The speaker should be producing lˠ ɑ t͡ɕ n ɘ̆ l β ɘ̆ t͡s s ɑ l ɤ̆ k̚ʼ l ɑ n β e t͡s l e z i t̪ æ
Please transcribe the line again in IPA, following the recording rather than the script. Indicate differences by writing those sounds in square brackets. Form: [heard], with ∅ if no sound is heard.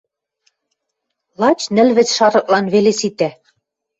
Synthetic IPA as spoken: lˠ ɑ t͡ɕ n ɘ̆ l β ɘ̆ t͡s [ʃ] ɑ [ɾ] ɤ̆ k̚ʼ l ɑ n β e [∅] l e [s] i t̪ æ